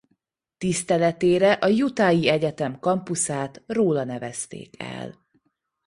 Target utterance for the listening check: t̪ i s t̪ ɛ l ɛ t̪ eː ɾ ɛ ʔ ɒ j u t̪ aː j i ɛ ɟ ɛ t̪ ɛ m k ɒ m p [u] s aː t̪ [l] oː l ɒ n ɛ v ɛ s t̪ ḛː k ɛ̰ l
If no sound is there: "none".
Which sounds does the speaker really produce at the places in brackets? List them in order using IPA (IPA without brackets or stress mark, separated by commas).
u, r